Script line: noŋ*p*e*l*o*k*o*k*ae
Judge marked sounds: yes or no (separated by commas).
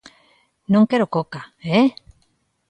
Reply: no, no, yes, yes